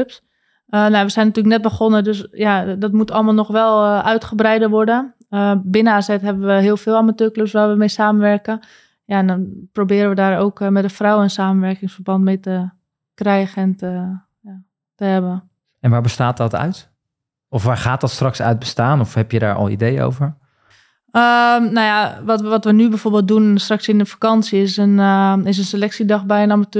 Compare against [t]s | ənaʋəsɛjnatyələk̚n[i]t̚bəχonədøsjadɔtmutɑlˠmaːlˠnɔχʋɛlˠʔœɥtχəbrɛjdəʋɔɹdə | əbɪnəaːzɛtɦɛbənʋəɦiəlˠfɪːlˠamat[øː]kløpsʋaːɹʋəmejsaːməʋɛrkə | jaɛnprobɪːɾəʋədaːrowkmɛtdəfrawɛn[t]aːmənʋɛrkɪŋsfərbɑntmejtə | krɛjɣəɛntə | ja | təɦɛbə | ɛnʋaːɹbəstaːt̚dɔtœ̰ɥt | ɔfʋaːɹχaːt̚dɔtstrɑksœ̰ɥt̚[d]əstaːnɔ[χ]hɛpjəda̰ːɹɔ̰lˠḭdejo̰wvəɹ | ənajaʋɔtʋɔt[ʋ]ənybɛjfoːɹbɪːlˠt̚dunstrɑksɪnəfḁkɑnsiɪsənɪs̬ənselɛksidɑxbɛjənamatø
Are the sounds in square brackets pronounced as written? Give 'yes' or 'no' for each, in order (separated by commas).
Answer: no, no, yes, no, no, no, yes